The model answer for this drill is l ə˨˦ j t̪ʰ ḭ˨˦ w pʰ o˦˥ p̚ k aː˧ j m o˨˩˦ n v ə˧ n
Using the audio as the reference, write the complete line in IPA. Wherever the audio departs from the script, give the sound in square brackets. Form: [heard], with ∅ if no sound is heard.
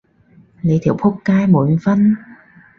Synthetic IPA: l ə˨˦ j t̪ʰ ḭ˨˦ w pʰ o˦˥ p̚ k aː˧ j m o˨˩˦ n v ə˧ n